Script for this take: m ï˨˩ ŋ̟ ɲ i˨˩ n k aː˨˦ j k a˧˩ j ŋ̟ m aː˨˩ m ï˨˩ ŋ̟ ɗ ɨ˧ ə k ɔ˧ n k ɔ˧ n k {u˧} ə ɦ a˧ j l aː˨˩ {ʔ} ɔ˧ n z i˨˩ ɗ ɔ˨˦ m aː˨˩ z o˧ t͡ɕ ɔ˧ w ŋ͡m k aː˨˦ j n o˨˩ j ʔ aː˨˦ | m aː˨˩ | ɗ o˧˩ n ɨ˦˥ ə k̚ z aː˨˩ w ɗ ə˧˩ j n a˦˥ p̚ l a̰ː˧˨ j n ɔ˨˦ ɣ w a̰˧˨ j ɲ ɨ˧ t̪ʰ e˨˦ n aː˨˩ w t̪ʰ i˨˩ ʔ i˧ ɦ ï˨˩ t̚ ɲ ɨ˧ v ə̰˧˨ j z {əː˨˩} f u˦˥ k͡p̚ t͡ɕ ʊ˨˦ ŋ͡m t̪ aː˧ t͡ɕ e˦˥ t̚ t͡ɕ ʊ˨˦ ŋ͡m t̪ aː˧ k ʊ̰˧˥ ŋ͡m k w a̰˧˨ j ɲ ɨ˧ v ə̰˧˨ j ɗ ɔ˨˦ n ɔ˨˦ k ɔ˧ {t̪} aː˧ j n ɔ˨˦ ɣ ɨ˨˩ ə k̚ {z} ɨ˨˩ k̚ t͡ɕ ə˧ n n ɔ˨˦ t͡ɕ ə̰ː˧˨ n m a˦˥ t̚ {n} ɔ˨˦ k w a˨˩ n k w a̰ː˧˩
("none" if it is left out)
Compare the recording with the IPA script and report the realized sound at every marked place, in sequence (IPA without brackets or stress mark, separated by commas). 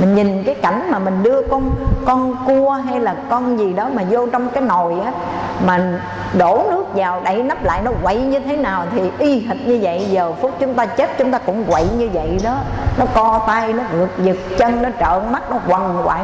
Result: u˧, k, əː˨˩, t̪, z, n